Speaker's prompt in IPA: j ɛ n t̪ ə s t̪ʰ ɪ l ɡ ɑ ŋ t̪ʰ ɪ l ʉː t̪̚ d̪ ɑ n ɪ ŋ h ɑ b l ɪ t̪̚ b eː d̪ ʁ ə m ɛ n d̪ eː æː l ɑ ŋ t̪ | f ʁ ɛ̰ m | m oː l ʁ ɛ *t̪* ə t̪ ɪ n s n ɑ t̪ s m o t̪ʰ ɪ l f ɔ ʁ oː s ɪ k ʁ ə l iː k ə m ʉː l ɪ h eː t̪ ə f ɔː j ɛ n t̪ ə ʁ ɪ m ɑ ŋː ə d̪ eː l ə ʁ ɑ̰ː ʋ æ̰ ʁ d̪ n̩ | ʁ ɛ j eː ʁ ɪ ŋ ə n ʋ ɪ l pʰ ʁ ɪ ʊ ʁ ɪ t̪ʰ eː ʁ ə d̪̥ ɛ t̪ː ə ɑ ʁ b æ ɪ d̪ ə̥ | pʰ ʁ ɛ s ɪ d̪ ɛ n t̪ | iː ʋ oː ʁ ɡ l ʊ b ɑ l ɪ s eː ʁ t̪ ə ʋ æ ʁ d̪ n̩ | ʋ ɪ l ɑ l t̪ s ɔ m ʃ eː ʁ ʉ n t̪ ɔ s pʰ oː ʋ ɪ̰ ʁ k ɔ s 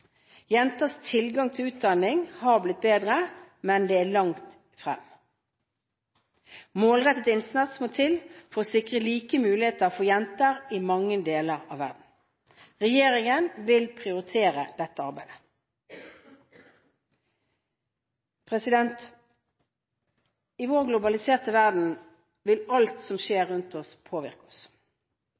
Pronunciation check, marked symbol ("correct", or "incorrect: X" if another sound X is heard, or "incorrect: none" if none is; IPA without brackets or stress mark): correct